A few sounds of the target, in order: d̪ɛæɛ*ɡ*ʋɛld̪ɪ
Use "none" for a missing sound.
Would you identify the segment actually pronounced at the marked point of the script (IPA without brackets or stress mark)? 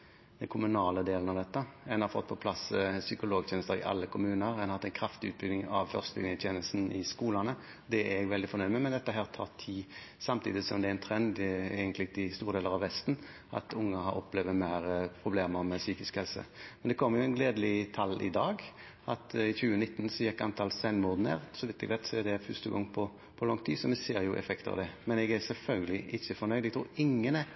ɡ